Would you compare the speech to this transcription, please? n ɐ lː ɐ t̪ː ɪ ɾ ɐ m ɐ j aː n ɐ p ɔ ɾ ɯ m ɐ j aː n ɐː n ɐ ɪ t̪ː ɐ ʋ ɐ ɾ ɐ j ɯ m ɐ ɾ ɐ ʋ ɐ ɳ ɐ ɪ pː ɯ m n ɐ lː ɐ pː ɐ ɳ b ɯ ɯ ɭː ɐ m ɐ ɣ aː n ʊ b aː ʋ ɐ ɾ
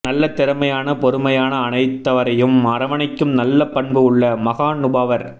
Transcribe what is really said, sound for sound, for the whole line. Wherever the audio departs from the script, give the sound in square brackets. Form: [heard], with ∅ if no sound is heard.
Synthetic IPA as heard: n ɐ lː ɐ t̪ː ɪ ɾ ɐ m ɐ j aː n ɐ p ɔ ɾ ɯ m ɐ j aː n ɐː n ɐ ɪ t̪ː ɐ ʋ ɐ ɾ ɐ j ɯ m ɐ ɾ ɐ ʋ ɐ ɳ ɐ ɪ [kː] ɯ m n ɐ lː ɐ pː ɐ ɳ b ɯ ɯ ɭː ɐ m ɐ ɣ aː n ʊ b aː ʋ ɐ ɾ